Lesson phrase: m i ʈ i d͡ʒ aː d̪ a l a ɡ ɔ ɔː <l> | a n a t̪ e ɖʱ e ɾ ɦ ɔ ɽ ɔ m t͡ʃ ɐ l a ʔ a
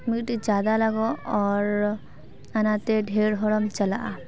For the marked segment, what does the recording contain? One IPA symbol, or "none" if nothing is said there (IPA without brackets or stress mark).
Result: ɾ